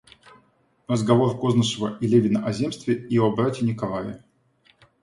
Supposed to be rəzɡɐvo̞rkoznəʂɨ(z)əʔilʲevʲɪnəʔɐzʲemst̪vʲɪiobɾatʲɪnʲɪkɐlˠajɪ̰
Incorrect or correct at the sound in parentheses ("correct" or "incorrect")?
incorrect